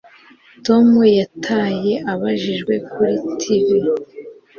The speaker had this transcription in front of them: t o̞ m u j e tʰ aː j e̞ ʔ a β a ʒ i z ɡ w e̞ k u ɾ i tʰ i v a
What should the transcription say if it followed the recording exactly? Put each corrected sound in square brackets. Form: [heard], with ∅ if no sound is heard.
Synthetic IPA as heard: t o̞ m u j [a] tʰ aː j e̞ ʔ a β a ʒ i [ʒ] ɡ w e̞ k u ɾ i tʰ i v [i]